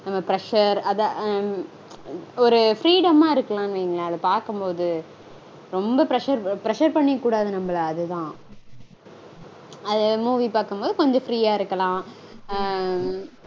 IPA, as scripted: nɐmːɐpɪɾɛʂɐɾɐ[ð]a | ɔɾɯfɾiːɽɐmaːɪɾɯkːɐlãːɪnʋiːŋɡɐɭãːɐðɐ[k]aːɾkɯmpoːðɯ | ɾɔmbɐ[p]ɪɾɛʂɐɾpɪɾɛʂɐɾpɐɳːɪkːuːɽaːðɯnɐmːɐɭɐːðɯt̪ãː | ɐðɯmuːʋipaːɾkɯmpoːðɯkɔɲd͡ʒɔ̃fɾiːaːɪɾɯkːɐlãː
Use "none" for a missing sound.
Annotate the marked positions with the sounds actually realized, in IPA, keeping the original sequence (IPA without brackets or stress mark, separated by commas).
ð, p, p